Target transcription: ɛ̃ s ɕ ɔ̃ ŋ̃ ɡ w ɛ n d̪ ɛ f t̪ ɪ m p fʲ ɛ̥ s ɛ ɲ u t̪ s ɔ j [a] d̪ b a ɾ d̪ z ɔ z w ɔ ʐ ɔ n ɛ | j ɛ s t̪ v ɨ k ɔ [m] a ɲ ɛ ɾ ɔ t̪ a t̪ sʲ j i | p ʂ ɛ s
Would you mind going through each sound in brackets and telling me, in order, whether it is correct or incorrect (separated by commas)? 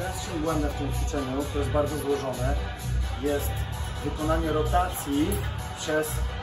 incorrect, incorrect